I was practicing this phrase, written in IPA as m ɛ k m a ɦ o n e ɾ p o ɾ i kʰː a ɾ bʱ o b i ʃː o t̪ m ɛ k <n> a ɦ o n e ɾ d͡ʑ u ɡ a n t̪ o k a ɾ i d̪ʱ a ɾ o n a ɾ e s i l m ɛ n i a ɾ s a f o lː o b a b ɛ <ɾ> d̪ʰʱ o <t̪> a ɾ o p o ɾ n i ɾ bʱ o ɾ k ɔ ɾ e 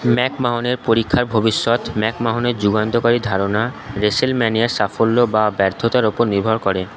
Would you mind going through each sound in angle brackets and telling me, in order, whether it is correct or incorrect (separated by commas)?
incorrect, correct, correct